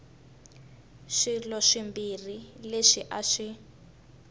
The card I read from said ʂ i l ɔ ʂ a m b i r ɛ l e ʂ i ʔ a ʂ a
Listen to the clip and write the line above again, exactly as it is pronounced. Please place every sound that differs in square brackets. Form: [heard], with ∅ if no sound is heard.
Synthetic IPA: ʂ i l ɔ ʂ [i] m b i r [i] l e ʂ i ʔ a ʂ [i]